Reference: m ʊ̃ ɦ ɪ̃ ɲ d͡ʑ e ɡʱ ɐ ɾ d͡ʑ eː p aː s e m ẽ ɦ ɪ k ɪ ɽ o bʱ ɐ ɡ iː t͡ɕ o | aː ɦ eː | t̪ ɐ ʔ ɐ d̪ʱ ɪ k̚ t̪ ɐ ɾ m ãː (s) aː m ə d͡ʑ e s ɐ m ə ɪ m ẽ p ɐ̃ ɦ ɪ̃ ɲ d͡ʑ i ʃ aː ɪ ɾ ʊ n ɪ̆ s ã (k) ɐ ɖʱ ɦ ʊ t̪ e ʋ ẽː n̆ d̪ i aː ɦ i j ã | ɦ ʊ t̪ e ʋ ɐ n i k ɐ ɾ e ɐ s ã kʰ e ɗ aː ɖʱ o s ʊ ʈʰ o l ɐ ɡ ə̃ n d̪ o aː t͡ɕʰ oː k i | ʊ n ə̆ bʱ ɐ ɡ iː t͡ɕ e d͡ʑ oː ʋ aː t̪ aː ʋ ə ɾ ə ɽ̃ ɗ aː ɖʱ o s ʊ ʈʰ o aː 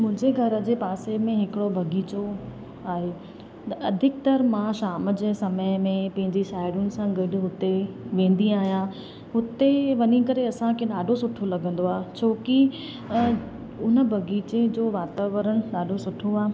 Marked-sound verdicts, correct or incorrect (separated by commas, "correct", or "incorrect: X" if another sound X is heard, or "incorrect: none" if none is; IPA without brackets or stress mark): incorrect: ʃ, incorrect: ɡ